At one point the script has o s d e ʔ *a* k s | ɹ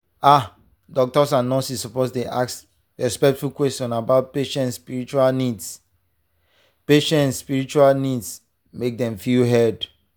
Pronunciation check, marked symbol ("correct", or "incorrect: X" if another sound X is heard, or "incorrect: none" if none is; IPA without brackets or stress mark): correct